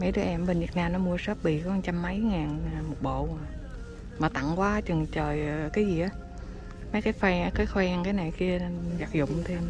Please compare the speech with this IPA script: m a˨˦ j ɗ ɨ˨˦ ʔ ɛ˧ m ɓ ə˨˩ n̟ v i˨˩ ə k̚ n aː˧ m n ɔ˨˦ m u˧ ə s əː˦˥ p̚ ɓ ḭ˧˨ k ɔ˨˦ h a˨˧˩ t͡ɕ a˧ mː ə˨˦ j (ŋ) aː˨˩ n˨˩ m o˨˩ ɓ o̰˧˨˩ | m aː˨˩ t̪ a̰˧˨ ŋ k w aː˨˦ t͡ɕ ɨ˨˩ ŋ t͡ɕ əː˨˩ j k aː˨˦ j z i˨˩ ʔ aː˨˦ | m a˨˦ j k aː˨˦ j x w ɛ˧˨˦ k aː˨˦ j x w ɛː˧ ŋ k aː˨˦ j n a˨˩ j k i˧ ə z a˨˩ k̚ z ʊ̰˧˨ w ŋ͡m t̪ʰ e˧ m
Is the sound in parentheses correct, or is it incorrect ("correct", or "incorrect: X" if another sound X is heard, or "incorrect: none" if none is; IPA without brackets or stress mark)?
correct